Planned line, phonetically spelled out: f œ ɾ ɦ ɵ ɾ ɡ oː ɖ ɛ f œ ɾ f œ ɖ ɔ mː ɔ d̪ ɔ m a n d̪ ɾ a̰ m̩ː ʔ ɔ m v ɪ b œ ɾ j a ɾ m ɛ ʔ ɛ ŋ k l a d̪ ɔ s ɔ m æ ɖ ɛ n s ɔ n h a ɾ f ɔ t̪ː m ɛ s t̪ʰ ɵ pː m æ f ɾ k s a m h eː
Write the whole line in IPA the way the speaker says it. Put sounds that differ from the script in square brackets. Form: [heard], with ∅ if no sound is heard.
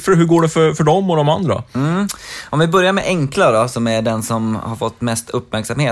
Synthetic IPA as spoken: f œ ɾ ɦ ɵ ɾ ɡ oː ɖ ɛ f œ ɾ f œ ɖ ɔ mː ɔ d̪ ɔ m a n d̪ ɾ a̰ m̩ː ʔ ɔ m v ɪ b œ ɾ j a ɾ m ɛ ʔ ɛ ŋ k l a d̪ ɔ s ɔ m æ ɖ ɛ n s ɔ [m] h a ɾ f ɔ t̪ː m ɛ s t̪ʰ ɵ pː m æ [∅] ɾ k s a m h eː